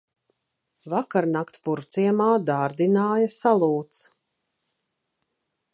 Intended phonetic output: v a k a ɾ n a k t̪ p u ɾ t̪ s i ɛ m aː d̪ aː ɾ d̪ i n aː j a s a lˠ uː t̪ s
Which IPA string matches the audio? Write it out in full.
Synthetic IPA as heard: v a k a ɾ n a k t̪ p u ɾ t̪ s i ɛ m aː d̪ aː ɾ d̪ i n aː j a s a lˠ uː t̪ s